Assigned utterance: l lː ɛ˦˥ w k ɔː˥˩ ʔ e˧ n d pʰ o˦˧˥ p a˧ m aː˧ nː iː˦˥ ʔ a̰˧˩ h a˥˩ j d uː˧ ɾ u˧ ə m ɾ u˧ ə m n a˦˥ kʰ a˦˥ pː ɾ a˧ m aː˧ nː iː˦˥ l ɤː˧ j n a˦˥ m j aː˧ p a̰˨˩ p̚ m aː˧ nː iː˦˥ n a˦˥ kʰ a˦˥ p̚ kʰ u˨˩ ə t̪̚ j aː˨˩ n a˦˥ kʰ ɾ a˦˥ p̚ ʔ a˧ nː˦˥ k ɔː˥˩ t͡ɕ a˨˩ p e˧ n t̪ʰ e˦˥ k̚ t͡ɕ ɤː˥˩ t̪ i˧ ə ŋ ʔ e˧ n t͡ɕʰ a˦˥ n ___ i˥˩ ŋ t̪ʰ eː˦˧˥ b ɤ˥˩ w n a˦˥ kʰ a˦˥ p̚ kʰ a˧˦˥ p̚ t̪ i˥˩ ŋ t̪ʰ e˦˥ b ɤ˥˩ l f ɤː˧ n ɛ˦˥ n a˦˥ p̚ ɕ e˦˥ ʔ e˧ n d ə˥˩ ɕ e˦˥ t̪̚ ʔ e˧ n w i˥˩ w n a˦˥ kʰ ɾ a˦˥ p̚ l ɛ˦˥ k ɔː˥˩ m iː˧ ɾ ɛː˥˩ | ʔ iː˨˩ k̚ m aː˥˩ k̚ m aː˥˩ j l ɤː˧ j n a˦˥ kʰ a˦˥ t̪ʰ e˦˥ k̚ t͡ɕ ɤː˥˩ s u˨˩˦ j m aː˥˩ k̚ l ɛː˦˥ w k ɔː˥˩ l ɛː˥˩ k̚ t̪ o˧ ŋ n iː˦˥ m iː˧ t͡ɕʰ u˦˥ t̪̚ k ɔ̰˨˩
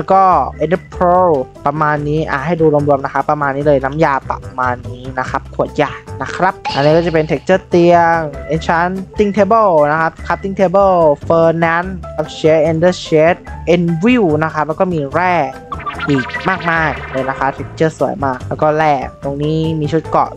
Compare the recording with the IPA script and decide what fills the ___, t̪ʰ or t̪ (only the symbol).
t̪